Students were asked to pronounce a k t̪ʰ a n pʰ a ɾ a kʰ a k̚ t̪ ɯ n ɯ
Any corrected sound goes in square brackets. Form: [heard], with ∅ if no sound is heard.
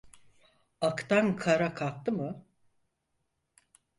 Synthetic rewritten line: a k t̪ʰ a n [kʰ] a ɾ a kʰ a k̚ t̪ ɯ [m] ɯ